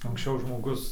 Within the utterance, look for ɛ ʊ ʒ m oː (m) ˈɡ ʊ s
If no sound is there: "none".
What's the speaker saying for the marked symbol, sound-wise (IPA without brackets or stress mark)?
none